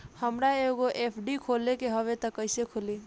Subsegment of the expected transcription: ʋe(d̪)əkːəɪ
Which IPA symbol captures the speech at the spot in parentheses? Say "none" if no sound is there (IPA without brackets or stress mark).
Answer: t̪